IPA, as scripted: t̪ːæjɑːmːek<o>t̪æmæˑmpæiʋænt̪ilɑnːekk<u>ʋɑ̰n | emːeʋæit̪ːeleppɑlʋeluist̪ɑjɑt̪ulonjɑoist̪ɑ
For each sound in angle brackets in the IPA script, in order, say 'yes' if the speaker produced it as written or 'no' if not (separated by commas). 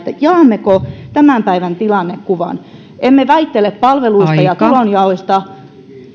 yes, yes